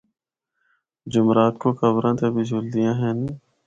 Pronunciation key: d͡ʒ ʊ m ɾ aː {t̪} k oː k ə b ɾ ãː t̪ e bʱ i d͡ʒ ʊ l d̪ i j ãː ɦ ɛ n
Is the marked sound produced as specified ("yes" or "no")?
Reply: yes